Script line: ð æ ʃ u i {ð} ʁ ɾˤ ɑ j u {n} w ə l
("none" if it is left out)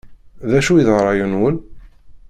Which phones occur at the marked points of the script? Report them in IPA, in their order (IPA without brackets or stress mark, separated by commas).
ð, n